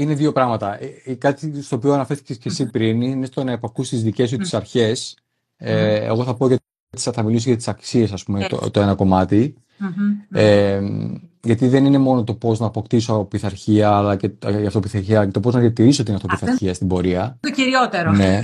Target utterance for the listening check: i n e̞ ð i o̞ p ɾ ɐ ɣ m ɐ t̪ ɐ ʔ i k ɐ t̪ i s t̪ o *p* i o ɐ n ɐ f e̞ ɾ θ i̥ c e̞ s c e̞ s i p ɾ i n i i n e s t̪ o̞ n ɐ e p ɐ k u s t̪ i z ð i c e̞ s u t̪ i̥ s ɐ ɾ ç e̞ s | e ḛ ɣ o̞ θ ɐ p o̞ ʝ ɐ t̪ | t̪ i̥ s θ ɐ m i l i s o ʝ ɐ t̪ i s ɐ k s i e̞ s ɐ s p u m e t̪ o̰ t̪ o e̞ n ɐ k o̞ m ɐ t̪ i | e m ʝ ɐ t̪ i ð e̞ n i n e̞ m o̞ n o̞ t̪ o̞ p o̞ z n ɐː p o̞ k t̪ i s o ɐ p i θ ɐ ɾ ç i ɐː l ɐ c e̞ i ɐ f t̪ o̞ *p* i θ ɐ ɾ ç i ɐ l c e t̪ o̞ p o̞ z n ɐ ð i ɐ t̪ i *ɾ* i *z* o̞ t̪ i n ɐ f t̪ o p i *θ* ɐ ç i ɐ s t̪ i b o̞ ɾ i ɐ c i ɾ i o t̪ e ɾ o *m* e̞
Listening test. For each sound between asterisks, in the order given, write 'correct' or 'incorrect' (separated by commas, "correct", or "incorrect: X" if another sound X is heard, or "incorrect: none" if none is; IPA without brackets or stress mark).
correct, correct, correct, incorrect: s, correct, incorrect: n